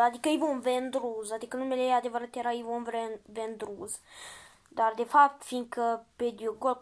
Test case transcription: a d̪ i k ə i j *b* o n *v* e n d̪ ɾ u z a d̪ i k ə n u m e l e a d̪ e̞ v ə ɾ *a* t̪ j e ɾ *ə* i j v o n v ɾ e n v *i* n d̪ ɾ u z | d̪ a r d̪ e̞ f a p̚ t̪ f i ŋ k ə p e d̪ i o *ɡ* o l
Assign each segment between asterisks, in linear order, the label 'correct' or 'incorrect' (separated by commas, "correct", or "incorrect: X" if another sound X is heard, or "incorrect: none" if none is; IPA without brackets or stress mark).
incorrect: v, correct, correct, incorrect: a, incorrect: e, correct